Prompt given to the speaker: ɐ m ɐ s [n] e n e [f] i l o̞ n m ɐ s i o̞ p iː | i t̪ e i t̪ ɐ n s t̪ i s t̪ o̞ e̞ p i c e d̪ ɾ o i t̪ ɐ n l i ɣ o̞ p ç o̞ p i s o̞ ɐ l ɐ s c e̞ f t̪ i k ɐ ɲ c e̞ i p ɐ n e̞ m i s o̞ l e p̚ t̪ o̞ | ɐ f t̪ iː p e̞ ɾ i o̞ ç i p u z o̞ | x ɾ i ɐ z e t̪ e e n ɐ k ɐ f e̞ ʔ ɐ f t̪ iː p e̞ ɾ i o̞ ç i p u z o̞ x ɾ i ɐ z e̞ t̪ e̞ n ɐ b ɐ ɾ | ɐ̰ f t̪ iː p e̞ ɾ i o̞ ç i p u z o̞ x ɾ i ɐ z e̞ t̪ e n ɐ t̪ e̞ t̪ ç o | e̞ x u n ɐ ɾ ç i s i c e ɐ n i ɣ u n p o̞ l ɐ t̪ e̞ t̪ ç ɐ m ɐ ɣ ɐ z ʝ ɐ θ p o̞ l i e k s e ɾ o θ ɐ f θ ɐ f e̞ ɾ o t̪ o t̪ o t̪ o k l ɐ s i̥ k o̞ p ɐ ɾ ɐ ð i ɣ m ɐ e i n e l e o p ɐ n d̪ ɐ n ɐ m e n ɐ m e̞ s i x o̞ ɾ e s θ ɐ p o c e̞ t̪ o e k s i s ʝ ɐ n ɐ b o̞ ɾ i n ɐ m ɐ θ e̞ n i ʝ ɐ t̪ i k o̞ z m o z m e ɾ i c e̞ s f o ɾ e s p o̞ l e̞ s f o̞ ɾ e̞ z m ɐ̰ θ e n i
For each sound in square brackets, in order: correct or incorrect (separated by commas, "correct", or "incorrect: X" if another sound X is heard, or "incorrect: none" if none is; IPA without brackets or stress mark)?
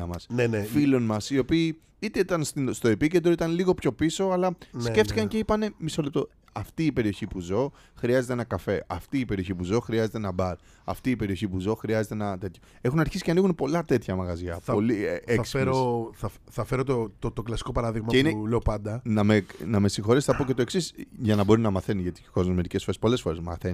correct, correct